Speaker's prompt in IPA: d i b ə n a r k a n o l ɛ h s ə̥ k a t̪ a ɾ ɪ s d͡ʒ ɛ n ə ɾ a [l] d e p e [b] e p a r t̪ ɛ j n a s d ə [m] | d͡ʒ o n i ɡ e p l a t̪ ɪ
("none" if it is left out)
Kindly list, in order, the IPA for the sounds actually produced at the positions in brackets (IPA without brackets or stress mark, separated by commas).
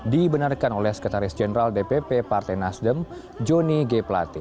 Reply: l, p, m